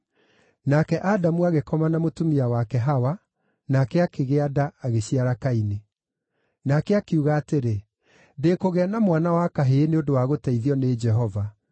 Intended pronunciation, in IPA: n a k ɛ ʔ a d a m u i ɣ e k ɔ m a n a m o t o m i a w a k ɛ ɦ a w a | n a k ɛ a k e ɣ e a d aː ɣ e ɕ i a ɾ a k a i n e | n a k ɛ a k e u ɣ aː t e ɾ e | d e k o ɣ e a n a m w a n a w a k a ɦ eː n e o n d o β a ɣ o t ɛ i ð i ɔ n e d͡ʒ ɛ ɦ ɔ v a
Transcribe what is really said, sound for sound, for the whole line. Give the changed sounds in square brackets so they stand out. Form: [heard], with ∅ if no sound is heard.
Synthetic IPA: n a k ɛ ʔ a d a m u [a] ɣ e k ɔ m a n a m o t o m i a w a k ɛ ɦ a w a | n a k ɛ a k e ɣ e a d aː ɣ e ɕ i a ɾ a k a i n e | n a k ɛ a k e u ɣ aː t e ɾ e | d e k o ɣ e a n a m w a n a w a k a ɦ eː n e o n d o [w] a ɣ o t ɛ i ð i ɔ n e d͡ʒ ɛ ɦ ɔ v a